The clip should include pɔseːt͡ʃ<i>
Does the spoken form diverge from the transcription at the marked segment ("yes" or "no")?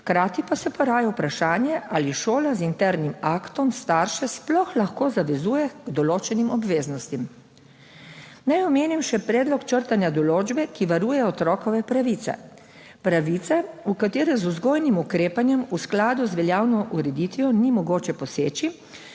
no